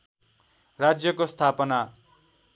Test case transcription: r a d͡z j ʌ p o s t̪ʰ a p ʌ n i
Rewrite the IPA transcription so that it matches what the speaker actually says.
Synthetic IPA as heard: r a d͡z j ʌ k o s t̪ʰ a p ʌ n a